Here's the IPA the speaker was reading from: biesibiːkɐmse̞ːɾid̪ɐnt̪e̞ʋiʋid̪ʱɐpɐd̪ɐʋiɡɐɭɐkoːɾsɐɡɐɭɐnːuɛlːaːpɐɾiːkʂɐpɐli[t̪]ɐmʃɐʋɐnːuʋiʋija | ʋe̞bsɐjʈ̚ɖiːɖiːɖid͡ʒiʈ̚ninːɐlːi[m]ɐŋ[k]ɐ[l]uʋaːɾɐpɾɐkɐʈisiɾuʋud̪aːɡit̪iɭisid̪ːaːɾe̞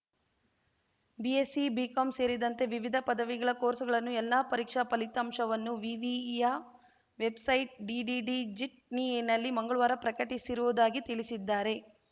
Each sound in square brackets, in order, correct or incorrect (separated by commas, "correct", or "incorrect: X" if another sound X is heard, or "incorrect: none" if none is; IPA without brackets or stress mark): correct, correct, incorrect: ɡ, incorrect: ɭ